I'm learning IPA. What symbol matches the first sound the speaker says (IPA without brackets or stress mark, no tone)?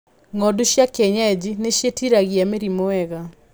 ŋ